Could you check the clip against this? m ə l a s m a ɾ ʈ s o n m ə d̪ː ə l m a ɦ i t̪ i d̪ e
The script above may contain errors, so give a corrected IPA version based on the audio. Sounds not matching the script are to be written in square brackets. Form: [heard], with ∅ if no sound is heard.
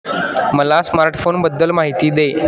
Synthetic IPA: m ə l a s m a ɾ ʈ [f] o n [b] ə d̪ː ə l m a ɦ i t̪ [iː] d̪ e